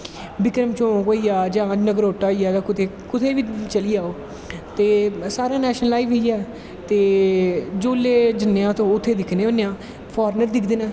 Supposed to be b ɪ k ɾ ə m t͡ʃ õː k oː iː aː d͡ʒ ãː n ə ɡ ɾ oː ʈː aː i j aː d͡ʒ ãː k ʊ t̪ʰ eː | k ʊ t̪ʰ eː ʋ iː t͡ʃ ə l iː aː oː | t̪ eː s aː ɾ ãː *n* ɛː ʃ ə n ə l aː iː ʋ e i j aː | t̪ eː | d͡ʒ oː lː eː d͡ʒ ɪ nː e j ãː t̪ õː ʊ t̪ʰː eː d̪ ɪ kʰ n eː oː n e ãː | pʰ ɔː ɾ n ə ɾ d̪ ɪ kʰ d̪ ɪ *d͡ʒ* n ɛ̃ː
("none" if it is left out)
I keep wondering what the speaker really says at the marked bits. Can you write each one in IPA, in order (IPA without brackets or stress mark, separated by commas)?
n, none